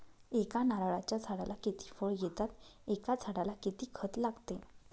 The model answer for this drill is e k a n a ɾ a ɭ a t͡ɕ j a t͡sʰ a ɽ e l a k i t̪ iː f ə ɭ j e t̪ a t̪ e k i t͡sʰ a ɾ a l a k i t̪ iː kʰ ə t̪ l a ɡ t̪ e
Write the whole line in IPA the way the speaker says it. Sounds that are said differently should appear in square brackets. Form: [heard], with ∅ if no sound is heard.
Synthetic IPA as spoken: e k a n a ɾ a ɭ a t͡ɕ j a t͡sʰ a ɽ [a] l a k i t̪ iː f ə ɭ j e t̪ a t̪ e k [a] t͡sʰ a [ɽ] a l a k i t̪ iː kʰ ə t̪ l a ɡ t̪ e